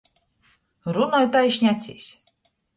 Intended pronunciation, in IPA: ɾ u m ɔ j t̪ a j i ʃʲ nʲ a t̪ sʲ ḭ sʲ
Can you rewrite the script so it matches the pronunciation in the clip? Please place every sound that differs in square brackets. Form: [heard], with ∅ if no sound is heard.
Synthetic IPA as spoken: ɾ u [n] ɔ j t̪ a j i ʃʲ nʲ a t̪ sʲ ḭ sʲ